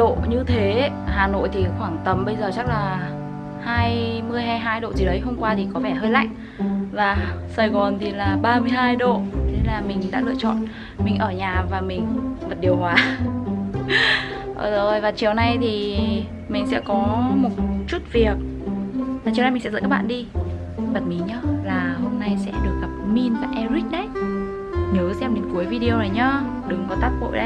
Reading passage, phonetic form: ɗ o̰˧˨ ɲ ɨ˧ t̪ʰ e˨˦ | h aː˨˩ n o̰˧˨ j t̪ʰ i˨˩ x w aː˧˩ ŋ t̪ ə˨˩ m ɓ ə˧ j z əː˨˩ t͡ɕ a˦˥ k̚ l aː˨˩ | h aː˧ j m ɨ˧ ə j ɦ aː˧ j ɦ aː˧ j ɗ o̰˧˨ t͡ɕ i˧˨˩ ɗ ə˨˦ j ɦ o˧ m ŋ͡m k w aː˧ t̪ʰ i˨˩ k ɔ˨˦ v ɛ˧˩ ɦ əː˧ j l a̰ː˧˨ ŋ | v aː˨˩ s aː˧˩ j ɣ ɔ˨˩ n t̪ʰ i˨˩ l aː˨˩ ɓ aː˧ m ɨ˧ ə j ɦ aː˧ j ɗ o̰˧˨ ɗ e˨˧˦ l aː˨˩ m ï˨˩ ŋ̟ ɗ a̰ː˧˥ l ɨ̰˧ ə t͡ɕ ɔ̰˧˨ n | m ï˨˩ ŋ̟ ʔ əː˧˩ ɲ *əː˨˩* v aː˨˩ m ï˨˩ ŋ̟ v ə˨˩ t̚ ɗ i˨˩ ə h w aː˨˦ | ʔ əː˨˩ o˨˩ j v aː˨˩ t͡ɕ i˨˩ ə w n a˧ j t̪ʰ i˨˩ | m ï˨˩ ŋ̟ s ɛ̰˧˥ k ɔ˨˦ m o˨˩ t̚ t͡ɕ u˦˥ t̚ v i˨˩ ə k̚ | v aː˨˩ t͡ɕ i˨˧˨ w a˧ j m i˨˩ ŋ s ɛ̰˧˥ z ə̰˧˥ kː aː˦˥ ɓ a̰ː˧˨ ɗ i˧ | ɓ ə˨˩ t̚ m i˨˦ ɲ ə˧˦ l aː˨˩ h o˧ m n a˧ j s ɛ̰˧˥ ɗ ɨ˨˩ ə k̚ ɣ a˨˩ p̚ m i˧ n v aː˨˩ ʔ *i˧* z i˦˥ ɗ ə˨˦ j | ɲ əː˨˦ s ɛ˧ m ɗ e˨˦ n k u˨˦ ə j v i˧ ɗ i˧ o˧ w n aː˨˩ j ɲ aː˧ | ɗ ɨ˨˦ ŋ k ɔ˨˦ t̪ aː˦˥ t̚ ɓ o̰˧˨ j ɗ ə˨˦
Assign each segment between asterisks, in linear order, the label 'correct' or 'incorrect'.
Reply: incorrect: aː˨˩, incorrect: ɛ˧

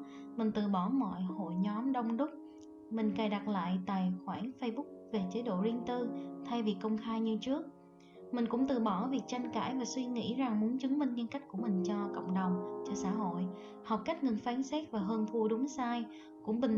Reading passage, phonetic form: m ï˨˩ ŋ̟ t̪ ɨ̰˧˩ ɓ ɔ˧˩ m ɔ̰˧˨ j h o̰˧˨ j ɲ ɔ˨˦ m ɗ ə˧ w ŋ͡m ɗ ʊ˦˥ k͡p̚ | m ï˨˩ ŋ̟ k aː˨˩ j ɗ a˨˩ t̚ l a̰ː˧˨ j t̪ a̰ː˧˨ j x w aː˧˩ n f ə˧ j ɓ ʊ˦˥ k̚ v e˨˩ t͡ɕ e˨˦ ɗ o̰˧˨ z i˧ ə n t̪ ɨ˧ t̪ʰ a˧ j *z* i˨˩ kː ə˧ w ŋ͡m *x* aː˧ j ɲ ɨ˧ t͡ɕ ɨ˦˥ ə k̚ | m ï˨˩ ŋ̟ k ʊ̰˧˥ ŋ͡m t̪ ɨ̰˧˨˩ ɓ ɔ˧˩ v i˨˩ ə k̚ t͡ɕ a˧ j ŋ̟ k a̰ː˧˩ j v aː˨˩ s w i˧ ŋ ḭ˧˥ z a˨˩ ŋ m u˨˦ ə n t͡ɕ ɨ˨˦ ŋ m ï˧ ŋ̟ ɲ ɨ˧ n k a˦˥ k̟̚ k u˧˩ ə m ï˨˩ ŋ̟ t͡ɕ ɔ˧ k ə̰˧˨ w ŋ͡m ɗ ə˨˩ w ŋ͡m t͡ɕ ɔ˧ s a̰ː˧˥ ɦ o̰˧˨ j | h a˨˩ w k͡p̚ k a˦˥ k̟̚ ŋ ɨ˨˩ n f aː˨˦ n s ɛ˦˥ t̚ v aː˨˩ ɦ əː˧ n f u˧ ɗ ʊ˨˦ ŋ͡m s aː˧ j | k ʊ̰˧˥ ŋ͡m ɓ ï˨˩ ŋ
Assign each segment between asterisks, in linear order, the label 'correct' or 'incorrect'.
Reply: incorrect: v, correct

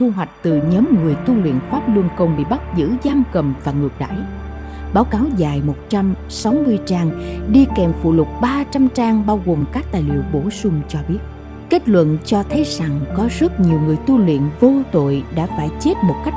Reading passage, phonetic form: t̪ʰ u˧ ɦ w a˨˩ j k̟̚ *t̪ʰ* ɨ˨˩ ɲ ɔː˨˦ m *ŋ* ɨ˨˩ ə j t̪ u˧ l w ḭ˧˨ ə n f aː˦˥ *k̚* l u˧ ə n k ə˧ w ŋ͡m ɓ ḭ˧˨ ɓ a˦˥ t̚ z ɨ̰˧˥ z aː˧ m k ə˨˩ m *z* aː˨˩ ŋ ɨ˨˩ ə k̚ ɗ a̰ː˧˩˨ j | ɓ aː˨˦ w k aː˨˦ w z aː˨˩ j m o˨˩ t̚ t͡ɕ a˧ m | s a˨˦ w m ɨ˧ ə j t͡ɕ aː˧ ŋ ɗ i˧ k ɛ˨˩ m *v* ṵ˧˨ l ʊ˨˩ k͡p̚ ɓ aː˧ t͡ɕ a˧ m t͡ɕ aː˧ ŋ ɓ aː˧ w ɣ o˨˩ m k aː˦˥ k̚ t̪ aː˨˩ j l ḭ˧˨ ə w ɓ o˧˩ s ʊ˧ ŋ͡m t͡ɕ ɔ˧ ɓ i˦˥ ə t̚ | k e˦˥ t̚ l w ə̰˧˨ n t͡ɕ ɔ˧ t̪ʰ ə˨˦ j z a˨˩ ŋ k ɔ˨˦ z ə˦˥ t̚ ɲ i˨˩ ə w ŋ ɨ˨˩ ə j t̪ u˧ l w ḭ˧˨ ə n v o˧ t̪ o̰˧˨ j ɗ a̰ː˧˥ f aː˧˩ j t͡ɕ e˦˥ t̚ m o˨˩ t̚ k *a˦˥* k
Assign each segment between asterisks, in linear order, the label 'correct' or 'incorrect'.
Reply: incorrect: t̪, correct, incorrect: p̚, incorrect: v, incorrect: f, correct

